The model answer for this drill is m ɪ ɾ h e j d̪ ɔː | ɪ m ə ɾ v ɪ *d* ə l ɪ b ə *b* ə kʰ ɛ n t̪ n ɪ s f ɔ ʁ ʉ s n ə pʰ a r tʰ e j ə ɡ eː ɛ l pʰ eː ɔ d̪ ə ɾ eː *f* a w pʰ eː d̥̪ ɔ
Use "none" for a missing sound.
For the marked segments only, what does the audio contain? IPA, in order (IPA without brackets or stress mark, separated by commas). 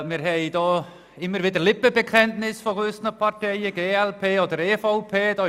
d, b, f